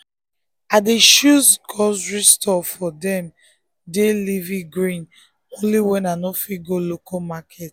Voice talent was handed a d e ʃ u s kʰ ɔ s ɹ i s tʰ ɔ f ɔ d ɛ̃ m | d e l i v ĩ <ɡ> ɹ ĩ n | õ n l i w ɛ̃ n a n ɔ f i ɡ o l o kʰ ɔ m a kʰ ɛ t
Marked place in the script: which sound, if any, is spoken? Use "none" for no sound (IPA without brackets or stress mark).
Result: ɡ